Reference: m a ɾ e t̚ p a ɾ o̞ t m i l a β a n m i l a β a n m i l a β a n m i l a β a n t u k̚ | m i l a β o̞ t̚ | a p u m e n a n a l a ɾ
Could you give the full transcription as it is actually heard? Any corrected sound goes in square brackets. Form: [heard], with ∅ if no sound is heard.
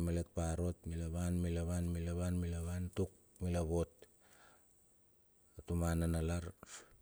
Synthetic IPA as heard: m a [l] e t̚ p a ɾ o̞ t m i l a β a n m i l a β a n m i l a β a n m i l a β a n t u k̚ | m i l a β o̞ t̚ | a [t] u m [a] n a n a l a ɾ

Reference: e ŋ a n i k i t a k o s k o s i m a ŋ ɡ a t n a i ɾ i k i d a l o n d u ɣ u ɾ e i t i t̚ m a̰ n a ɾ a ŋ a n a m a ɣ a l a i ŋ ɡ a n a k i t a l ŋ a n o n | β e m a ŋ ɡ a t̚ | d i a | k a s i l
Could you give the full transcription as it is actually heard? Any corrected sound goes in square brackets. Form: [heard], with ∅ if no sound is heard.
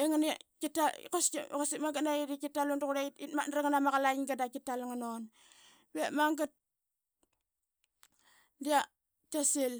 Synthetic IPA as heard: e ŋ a n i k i t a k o s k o s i m a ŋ ɡ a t n a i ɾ i k i [t] a l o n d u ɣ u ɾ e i t i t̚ m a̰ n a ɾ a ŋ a n a m a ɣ a l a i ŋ ɡ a [d] a k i t a l ŋ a n o n | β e m a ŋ ɡ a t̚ | d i a | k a s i l

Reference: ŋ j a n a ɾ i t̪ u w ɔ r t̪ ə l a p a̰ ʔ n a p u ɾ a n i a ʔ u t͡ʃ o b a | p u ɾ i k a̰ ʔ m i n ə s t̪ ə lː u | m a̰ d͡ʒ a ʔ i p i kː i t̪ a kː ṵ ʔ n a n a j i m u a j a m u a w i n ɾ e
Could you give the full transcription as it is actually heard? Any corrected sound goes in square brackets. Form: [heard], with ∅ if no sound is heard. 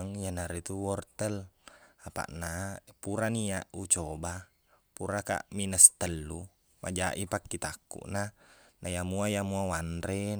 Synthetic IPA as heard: ŋ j a n a ɾ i t̪ u w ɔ r t̪ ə l a p a̰ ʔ n a p u ɾ a n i a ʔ u t͡ʃ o b a | p u ɾ [a] k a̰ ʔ m i n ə s t̪ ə lː u | m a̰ d͡ʒ a ʔ i p [a] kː i t̪ a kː ṵ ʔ n a n a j [a] m u a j a m u a w [a] n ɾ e

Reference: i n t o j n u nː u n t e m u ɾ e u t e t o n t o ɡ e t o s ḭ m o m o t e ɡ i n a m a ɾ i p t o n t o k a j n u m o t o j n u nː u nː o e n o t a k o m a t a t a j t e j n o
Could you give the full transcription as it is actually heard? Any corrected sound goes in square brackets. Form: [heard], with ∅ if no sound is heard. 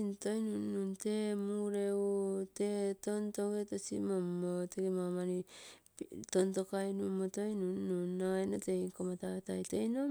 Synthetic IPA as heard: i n t o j n u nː u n t e m u ɾ e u t e t o n t o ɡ e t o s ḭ m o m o t e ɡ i [m] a m a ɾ i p t o n t o k a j n u m o t o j n u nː u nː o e n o t [e] k o m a t a t a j t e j n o

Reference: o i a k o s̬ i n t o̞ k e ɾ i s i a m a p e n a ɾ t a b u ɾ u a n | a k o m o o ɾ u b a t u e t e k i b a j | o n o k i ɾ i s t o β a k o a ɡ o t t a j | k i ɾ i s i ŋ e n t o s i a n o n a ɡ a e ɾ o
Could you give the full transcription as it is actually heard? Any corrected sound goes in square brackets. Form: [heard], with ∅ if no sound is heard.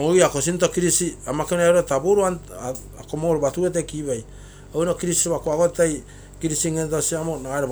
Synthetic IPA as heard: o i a k o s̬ i n t o̞ k [i] ɾ i s i a m a [k] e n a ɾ t a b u ɾ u a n | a k o m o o ɾ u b a t u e t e k i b a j | o n o k i ɾ i s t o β a k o a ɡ o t t a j | k i ɾ i s i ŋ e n t o s i a [m] o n a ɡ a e ɾ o

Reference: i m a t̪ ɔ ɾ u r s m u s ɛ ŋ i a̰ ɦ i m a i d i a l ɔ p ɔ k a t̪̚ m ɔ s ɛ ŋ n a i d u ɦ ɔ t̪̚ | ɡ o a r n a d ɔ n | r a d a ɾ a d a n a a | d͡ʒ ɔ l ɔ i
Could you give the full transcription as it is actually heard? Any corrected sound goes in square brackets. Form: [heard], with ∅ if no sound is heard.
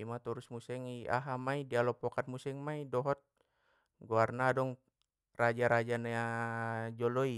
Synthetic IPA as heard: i m a t̪ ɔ ɾ u [∅] s m u s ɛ ŋ i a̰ ɦ [a] m a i d i a l ɔ p ɔ k a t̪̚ m [u] s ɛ ŋ [m] a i d [ɔ] ɦ ɔ t̪̚ | ɡ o a r n a d ɔ [ŋ] | r a [d͡ʒ] a ɾ a [d͡ʒ] a n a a | d͡ʒ ɔ l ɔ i

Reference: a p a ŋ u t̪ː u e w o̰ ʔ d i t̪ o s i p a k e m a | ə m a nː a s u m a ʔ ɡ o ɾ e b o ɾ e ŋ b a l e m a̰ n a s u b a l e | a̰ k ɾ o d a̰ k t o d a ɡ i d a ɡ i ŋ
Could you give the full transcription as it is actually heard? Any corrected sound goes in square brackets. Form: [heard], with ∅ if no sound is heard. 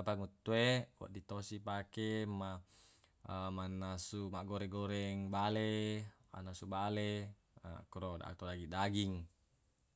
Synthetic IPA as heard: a p a ŋ u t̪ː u e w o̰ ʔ d i t̪ o s i p a k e m a | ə m a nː a s u m a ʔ ɡ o ɾ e [ɡ] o ɾ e ŋ b a l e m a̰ n a s u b a l e | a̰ k ɾ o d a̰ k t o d a ɡ i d a ɡ i ŋ

